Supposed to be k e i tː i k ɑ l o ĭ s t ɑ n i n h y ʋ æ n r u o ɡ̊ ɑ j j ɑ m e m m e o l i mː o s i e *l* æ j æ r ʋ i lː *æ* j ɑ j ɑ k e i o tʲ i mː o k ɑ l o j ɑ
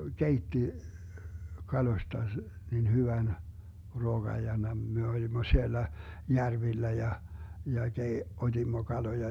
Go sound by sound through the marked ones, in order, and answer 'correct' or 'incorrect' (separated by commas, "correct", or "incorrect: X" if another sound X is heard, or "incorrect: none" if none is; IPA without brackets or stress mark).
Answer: incorrect: lː, correct